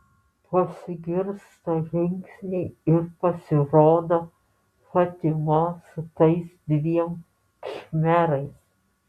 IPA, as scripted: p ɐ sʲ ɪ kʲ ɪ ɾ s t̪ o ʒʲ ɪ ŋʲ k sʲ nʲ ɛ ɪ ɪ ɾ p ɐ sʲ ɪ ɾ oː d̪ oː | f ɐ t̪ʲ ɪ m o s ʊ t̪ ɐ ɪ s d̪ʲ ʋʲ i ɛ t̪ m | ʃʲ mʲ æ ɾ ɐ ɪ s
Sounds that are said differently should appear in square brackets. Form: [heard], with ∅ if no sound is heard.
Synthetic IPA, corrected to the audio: p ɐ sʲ ɪ [ɡʲ] ɪ ɾ s t̪ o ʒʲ ɪ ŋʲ k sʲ nʲ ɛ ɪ ɪ ɾ p ɐ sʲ ɪ ɾ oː d̪ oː | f ɐ t̪ʲ ɪ m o s ʊ t̪ ɐ ɪ s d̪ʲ ʋʲ i ɛ [∅] m | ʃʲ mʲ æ ɾ ɐ ɪ s